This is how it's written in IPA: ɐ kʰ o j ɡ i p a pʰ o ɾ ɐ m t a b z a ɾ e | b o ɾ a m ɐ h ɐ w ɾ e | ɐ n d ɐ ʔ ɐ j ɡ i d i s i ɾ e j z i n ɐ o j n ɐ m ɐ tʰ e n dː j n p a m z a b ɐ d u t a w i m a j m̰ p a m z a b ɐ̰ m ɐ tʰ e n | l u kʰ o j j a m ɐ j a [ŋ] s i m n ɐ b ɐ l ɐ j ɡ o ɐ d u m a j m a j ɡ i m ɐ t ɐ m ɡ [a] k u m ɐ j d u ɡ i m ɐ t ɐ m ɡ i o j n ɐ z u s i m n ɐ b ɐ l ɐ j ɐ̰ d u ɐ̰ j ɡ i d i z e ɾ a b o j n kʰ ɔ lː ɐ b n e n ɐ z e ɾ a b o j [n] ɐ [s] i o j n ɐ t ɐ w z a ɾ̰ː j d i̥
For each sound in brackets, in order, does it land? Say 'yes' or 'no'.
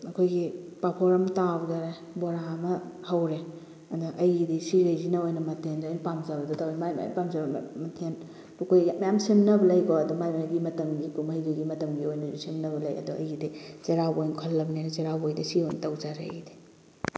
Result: no, no, no, yes

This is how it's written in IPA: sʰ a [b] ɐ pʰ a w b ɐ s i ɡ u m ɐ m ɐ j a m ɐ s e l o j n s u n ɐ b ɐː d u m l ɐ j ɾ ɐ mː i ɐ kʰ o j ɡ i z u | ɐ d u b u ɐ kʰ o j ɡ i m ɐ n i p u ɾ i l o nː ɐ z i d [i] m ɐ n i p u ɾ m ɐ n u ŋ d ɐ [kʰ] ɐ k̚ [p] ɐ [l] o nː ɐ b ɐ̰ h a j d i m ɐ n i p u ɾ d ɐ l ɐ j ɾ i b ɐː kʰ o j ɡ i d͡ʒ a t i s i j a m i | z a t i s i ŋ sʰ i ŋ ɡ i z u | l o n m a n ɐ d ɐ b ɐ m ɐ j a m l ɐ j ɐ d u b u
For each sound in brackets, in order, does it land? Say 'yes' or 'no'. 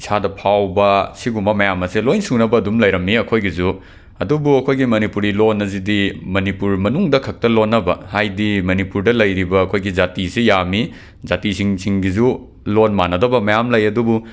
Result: no, yes, yes, no, yes

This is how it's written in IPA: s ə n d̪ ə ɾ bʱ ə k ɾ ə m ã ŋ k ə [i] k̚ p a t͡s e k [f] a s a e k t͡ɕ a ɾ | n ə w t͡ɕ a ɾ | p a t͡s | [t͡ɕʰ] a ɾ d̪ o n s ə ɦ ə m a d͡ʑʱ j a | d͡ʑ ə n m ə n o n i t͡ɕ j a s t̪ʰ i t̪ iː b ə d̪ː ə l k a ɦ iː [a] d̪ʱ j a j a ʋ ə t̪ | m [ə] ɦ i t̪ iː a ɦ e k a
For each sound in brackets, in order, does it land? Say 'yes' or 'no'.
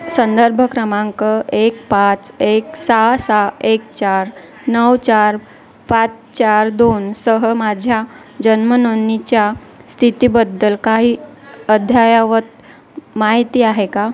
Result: no, no, no, no, no

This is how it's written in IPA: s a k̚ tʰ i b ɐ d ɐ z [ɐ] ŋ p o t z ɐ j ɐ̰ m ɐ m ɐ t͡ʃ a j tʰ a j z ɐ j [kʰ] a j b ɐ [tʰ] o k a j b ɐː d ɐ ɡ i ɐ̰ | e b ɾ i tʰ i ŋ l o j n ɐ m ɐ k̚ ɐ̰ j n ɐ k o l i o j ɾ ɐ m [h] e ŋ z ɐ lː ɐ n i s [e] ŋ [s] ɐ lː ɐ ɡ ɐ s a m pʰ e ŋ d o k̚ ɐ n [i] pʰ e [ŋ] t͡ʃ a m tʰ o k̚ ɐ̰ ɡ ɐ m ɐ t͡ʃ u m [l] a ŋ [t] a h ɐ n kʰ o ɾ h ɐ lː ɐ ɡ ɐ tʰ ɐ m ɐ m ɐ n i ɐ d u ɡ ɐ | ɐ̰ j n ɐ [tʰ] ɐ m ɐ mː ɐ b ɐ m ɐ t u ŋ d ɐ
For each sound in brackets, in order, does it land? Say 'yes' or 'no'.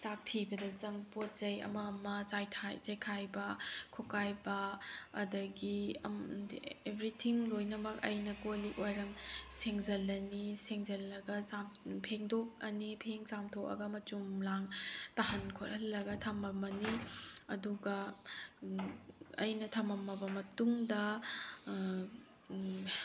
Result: yes, yes, no, no, yes, no, yes, yes, yes, yes, yes

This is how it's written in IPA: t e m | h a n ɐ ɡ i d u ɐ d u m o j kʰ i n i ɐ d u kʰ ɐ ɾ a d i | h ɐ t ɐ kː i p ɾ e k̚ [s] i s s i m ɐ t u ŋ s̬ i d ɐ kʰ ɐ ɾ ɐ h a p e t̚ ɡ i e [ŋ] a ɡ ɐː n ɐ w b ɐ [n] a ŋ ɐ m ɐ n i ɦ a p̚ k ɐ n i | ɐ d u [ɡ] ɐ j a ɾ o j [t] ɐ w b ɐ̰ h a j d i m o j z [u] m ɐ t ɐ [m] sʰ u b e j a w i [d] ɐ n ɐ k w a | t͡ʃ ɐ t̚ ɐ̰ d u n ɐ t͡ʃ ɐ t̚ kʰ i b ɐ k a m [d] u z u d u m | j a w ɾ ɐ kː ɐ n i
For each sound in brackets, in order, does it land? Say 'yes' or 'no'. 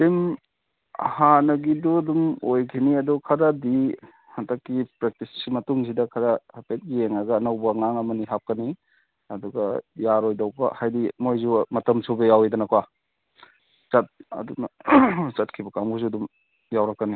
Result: no, yes, no, yes, no, yes, yes, yes, no

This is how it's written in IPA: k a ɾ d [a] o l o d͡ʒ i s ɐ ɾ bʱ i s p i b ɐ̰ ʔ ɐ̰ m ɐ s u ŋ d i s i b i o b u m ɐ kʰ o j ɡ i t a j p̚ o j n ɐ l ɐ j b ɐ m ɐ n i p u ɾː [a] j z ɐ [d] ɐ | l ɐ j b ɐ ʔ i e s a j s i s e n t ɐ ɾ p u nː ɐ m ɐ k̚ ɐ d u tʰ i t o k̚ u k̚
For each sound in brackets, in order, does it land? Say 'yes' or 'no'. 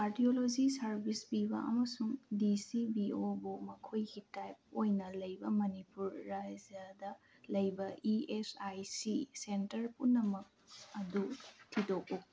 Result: no, yes, yes

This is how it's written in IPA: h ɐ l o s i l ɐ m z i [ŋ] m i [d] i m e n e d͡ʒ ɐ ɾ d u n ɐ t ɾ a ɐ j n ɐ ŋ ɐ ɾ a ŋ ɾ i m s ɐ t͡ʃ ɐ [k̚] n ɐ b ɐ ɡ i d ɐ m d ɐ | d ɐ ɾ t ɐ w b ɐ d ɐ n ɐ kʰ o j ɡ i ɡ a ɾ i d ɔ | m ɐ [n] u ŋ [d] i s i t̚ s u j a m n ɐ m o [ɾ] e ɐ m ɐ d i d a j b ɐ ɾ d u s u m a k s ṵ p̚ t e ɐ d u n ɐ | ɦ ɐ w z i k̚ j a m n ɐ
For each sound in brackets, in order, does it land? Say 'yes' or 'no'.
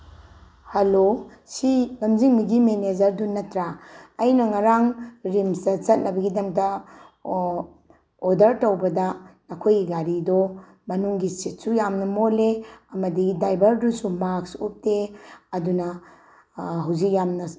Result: yes, no, no, yes, no, no

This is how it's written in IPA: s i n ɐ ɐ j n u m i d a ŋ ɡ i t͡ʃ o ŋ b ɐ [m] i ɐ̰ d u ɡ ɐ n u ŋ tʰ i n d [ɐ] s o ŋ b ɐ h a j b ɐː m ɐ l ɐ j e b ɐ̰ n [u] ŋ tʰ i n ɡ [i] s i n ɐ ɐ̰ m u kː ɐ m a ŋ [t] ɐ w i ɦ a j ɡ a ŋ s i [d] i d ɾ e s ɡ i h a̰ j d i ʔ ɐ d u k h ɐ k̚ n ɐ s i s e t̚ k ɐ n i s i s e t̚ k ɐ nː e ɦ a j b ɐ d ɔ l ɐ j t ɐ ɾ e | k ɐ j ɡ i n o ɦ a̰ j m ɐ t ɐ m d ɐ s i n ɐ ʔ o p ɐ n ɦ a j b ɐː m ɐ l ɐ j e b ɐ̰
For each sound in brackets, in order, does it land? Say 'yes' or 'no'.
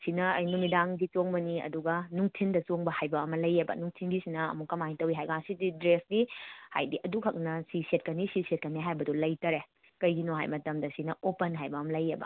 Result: no, yes, yes, yes, yes, yes

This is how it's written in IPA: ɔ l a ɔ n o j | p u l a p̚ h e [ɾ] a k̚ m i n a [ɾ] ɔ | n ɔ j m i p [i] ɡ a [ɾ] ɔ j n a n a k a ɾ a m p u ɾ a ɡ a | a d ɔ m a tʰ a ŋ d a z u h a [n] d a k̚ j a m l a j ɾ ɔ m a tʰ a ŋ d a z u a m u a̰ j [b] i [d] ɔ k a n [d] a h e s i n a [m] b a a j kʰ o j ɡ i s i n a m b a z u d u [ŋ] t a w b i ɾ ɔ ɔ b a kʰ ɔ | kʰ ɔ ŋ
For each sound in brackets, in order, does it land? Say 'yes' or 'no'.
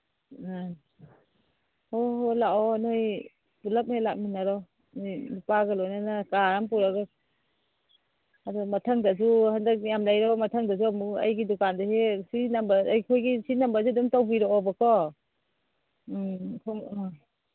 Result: no, yes, no, no, yes, no, yes, yes, yes, no

